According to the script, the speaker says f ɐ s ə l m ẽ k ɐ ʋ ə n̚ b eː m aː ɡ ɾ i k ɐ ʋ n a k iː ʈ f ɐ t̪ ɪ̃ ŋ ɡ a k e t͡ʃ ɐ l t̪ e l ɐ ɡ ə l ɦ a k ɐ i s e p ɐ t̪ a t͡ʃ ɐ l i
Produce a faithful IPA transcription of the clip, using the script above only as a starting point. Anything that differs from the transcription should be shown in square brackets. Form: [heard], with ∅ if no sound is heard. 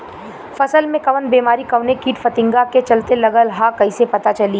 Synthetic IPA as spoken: f ɐ s ə l m ẽ k ɐ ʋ ə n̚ b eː m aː [∅] ɾ i k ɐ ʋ n [e] k iː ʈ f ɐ t̪ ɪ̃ ŋ ɡ a k e t͡ʃ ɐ l t̪ e l ɐ ɡ ə l ɦ a k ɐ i s e p ɐ t̪ a t͡ʃ ɐ l i